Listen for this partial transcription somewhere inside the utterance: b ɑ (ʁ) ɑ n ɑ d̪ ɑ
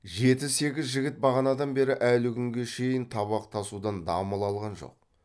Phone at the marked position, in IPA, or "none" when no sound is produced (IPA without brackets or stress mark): ʁ